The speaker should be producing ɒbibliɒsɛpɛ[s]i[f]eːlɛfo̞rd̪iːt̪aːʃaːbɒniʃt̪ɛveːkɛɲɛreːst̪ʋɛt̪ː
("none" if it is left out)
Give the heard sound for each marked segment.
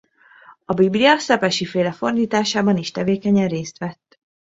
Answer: ʃ, f

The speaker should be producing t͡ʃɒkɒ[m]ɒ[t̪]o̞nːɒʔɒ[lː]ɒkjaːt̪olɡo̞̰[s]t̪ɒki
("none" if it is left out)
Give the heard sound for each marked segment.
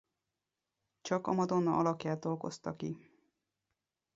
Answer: m, d̪, l, s

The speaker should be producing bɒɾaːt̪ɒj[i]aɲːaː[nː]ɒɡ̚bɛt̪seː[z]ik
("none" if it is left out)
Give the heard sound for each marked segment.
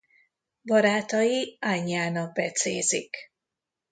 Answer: i, n, z

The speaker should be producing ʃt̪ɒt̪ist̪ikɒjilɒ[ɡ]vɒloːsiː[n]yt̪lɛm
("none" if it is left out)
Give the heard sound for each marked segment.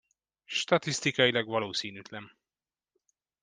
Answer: ɡ, n

